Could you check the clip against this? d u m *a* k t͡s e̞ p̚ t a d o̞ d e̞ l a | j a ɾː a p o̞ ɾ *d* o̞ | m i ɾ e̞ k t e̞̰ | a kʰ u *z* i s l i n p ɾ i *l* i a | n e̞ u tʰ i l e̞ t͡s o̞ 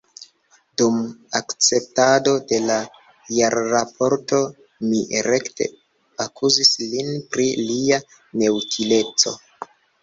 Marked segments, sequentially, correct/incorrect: correct, incorrect, correct, correct

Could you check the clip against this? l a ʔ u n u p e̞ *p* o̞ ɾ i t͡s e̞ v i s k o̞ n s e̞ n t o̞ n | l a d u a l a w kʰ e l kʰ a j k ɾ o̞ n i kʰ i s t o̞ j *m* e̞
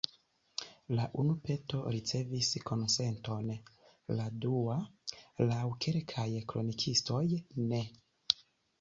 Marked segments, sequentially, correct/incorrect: incorrect, incorrect

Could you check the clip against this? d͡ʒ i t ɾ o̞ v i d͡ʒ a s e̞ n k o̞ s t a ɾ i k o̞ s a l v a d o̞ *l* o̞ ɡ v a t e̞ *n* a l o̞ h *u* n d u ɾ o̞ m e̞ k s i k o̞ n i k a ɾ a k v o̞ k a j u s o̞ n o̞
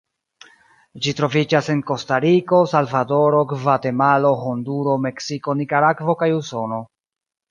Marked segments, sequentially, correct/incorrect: incorrect, incorrect, incorrect

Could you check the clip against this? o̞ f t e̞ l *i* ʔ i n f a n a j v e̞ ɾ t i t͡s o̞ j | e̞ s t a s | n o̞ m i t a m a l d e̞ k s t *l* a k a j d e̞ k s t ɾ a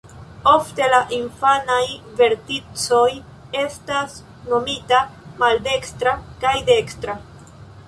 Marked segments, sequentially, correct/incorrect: incorrect, incorrect

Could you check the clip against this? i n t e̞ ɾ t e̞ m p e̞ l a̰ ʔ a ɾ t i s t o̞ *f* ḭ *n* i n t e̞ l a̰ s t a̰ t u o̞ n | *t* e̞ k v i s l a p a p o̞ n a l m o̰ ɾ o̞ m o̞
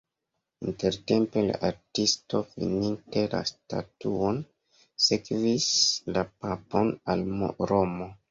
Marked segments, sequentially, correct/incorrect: correct, correct, incorrect

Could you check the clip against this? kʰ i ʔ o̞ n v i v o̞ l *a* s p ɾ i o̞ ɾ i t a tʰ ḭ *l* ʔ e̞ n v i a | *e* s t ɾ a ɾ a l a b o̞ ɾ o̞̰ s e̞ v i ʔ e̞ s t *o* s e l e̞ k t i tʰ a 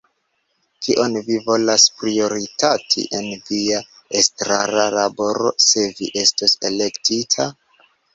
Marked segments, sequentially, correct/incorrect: correct, incorrect, correct, correct

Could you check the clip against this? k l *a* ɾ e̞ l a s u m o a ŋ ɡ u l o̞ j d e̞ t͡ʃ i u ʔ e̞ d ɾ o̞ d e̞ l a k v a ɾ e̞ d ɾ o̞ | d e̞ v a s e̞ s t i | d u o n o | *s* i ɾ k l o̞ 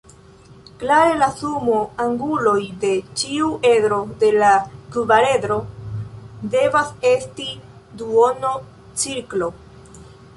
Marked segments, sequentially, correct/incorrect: correct, incorrect

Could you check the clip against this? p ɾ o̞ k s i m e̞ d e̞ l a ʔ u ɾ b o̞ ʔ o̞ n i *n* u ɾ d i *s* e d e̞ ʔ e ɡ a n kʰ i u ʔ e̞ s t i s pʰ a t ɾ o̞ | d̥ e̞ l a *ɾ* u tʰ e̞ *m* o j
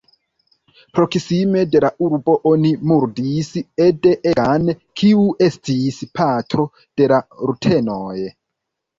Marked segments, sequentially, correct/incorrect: incorrect, correct, correct, incorrect

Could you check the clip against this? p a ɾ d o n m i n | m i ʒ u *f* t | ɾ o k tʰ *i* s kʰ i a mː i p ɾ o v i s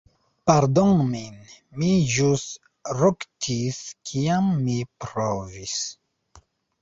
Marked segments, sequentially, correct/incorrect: incorrect, correct

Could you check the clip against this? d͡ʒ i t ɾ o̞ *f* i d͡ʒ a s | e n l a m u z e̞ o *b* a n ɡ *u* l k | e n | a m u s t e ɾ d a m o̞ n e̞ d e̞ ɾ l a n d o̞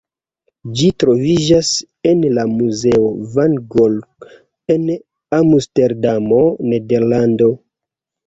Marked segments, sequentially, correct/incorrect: incorrect, incorrect, incorrect

